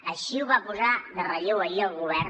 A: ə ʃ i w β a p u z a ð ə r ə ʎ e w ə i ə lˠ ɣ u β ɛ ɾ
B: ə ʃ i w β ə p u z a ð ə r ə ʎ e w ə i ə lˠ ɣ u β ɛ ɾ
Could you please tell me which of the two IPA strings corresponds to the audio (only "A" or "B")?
A